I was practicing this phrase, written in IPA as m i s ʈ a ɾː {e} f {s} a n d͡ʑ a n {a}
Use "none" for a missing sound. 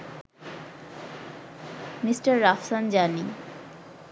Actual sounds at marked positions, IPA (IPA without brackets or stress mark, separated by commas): a, s, i